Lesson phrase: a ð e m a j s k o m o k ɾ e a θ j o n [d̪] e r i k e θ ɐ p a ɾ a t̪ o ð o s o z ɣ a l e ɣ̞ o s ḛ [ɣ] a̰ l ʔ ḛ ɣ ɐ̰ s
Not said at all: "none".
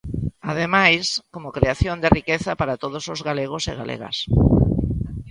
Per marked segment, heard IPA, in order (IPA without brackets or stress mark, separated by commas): d̪, ɣ